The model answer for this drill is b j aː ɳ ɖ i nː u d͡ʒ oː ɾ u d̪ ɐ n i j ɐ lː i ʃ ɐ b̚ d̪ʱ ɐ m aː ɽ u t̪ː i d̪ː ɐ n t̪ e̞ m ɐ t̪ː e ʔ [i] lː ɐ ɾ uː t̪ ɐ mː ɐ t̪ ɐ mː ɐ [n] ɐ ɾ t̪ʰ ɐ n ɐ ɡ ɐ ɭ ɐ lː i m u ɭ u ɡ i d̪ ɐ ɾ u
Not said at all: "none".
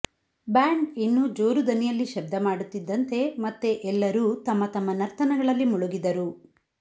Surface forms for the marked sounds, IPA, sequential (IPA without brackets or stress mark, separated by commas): ɛ, n